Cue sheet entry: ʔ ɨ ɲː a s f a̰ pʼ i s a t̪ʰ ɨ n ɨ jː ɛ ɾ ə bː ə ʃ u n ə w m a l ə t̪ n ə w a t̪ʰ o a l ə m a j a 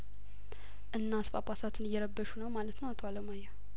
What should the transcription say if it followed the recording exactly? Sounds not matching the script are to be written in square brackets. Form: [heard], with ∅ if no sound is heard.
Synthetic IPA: ʔ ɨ [nː] a s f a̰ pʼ [a] s a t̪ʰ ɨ n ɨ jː ɛ ɾ ə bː ə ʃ u n ə w m a l ə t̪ n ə w a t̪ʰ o a l ə m a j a